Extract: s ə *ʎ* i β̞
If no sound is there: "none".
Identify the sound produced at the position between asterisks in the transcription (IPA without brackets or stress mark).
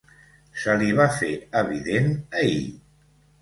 l